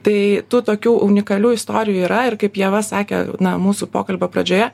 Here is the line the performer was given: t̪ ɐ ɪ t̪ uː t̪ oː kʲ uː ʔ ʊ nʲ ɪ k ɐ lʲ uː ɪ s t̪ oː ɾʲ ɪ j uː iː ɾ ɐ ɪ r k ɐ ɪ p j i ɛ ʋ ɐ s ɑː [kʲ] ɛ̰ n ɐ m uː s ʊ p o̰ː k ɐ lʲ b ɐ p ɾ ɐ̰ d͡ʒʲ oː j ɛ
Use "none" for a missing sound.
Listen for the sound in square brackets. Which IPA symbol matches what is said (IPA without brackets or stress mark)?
kʲ